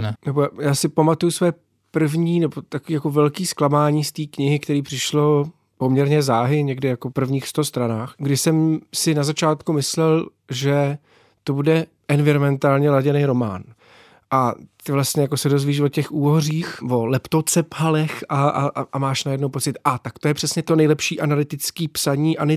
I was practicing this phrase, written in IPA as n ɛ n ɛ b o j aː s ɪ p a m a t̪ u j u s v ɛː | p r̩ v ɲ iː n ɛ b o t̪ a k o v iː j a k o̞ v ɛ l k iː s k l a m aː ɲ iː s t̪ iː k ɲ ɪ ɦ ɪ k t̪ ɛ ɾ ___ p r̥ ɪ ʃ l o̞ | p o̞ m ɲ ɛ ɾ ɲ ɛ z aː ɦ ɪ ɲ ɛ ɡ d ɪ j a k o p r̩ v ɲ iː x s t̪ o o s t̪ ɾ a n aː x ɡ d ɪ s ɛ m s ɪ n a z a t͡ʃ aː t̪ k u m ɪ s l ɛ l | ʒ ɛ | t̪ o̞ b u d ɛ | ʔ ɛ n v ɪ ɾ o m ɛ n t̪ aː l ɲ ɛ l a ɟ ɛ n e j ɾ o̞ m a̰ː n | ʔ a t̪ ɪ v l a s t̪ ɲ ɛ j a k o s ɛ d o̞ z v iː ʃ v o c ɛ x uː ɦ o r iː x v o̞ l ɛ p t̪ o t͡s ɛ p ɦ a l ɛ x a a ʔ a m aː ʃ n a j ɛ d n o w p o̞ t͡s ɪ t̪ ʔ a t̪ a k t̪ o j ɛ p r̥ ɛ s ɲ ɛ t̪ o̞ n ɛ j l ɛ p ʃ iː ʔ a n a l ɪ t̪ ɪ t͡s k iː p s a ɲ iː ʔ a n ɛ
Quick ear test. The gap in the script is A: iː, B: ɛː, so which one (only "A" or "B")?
A